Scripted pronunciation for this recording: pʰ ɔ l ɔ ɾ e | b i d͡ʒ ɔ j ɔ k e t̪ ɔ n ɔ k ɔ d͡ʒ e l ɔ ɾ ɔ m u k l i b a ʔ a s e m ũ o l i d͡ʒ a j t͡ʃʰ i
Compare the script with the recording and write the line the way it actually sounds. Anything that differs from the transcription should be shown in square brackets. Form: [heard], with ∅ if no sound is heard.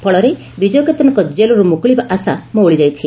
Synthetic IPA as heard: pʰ ɔ [ɭ] ɔ ɾ e | b i d͡ʒ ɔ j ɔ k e t̪ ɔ n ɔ k ɔ d͡ʒ e l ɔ ɾ [u] m u k [ɭ] i b a ʔ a s [a] m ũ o [ɭ] i d͡ʒ a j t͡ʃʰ i

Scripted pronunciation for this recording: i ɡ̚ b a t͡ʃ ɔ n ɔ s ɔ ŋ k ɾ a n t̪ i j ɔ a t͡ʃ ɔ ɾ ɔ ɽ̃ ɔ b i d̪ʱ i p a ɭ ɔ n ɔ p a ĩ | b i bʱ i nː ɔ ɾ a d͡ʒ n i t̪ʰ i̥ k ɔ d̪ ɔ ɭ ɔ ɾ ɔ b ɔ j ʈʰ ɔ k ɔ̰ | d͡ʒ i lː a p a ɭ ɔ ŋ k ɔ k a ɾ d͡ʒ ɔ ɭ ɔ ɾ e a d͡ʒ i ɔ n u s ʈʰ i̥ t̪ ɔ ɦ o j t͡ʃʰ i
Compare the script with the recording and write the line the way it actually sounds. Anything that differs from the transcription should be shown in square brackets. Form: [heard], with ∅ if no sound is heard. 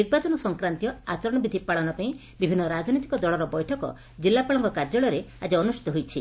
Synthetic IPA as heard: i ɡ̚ b a t͡ʃ ɔ n ɔ s ɔ ŋ k ɾ a n t̪ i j ɔ a t͡ʃ ɔ ɾ ɔ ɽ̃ ɔ b i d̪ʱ i p a ɭ ɔ n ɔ p a ĩ | b i bʱ i nː ɔ ɾ a d͡ʒ n i [t̪] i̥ k ɔ d̪ ɔ ɭ ɔ ɾ ɔ b ɔ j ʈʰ ɔ k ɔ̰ | d͡ʒ i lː a p a ɭ ɔ ŋ k ɔ k a ɾ d͡ʒ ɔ ɭ ɔ ɾ e a d͡ʒ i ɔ n u s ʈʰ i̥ t̪ ɔ ɦ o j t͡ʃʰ i

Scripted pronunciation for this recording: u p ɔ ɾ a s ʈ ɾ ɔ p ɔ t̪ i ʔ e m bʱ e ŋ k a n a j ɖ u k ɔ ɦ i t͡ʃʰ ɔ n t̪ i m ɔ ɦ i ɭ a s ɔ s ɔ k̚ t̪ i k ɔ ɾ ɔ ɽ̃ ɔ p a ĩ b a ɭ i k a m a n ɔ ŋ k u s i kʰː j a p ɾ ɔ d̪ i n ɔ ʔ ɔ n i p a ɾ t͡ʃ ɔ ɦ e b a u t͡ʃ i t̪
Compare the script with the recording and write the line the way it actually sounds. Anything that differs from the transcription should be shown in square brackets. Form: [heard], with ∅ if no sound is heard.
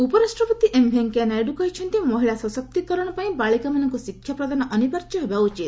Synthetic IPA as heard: u p ɔ ɾ a s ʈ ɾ ɔ p ɔ t̪ i ʔ e m bʱ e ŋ k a n a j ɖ u k ɔ ɦ i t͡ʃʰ ɔ n t̪ i m ɔ ɦ i ɭ a s ɔ s ɔ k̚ t̪ i k ɔ ɾ ɔ ɽ̃ ɔ p a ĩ b a ɭ i k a m a n ɔ ŋ k u s i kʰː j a p ɾ ɔ d̪ [a] n ɔ ʔ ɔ n i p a ɾ t͡ʃ ɔ ɦ e b a u t͡ʃ i t̪

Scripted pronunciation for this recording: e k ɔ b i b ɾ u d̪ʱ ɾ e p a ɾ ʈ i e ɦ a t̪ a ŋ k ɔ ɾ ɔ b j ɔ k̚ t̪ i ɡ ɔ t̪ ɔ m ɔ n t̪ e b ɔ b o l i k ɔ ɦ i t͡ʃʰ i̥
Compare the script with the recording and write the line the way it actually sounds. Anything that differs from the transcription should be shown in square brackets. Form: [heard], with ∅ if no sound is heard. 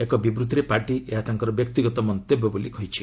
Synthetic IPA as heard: e k ɔ b i b ɾ u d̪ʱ ɾ e p a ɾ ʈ i e ɦ a t̪ a ŋ k ɔ ɾ ɔ b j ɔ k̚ t̪ i ɡ ɔ t̪ ɔ m ɔ n t̪ e b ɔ b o l i k ɔ ɦ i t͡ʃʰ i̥

